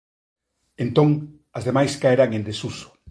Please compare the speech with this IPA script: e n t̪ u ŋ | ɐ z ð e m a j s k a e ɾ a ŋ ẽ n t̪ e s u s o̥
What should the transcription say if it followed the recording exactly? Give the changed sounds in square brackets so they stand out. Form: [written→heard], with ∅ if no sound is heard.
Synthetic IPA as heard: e n t̪ [u→o] ŋ | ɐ z ð e m a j s k a e ɾ a ŋ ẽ n [t̪→d̪] e s u s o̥